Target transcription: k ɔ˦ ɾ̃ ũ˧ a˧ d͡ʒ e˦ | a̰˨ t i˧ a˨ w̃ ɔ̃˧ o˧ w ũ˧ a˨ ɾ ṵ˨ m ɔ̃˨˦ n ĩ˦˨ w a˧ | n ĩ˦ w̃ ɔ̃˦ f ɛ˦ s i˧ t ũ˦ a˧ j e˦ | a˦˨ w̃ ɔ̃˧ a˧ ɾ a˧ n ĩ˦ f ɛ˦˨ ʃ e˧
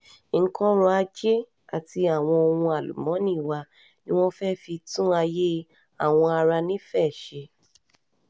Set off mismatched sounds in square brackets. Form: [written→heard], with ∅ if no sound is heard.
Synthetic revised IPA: k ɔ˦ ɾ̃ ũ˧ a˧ d͡ʒ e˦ | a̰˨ t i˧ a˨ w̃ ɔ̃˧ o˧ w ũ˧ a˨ [ɾ→l] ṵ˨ m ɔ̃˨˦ n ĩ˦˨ w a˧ | n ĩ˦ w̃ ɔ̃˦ f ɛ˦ [s→f] i˧ t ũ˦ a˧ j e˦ | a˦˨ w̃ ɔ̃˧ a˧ ɾ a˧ n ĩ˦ f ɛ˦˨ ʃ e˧